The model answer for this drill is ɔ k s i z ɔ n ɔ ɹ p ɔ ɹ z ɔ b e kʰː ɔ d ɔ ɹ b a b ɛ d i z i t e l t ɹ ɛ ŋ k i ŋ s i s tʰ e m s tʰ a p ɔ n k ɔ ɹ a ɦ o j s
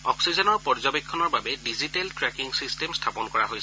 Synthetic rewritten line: ɔ k s i z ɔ n ɔ ɹ p ɔ ɹ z ɔ b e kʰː ɔ n ɔ ɹ b a b ɛ d i z i t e l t ɹ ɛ k i ŋ s i s t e m s tʰ a p ɔ n k ɔ ɹ a ɦ o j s